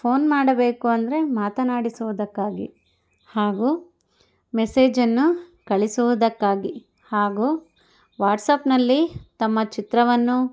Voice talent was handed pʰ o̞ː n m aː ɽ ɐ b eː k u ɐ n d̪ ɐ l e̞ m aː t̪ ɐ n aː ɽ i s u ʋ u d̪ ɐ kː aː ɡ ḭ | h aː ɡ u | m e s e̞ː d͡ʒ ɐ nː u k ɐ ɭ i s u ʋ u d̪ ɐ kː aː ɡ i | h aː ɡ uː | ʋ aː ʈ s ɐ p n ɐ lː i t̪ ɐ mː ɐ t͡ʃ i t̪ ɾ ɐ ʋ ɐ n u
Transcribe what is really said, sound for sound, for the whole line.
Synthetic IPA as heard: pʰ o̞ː n m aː ɽ ɐ b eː k u ɐ n d̪ ɐ ɾ e̞ m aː t̪ ɐ n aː ɽ i s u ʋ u d̪ ɐ kː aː ɡ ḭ | h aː ɡ u | m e s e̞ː d͡ʒ ɐ nː u k ɐ ɭ i s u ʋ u d̪ ɐ kː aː ɡ i | h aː ɡ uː | ʋ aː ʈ s ɐ p n ɐ lː i t̪ ɐ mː ɐ t͡ʃ i t̪ ɾ ɐ ʋ ɐ nː u